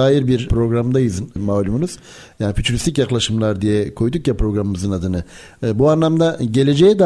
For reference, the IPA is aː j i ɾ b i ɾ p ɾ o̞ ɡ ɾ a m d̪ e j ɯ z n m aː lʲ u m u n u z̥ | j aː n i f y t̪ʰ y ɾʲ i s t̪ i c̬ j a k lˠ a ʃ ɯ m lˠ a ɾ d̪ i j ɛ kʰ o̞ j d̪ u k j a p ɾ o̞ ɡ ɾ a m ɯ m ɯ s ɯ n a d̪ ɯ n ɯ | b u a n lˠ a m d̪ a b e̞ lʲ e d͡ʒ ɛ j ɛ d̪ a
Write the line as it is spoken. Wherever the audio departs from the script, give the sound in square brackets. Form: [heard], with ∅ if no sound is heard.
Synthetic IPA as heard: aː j i ɾ b i ɾ p ɾ o̞ ɡ ɾ a m d̪ [a] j ɯ z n m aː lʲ u m u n u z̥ | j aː n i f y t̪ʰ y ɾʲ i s t̪ i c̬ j a k lˠ a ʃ ɯ m lˠ a ɾ d̪ i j ɛ kʰ o̞ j d̪ u k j a p ɾ o̞ ɡ ɾ a m ɯ m ɯ [z] ɯ n a d̪ ɯ n ɯ | b u a n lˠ a m d̪ a [ɟ] e̞ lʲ e d͡ʒ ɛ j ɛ d̪ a